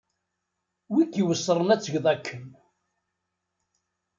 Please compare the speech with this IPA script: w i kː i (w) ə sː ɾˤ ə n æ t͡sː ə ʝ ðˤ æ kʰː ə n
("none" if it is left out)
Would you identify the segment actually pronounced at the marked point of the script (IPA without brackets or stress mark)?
w